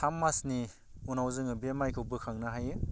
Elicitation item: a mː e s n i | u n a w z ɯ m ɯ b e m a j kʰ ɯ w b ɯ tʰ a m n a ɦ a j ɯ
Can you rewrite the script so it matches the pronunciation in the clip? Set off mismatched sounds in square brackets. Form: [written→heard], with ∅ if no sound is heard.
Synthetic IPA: a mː [e→a] s n i | u n a w z ɯ [m→ŋ] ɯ b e m a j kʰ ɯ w b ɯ [tʰ→kʰ] a [m→ŋ] n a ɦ a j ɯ